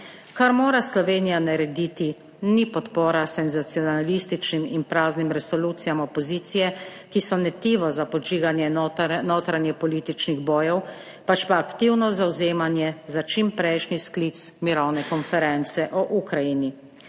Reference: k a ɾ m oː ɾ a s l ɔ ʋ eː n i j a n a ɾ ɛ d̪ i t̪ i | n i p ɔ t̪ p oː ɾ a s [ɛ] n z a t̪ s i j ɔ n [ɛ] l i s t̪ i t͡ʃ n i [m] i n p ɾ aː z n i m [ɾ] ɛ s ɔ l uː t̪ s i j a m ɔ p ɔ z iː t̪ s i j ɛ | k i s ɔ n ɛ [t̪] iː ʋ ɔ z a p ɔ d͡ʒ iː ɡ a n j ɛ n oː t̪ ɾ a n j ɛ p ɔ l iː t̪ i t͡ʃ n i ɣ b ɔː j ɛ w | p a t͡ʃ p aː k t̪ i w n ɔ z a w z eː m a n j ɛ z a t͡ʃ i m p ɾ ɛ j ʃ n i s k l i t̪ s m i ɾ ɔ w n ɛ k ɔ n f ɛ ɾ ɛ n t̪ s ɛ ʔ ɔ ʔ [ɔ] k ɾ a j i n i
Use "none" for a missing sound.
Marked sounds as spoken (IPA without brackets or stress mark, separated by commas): ɛ, a, m, ɾ, t̪, u